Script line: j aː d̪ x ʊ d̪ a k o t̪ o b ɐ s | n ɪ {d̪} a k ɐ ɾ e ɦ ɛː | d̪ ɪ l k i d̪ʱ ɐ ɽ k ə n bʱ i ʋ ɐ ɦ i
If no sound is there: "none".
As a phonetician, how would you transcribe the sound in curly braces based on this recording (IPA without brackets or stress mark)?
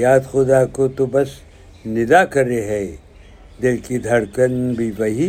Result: d̪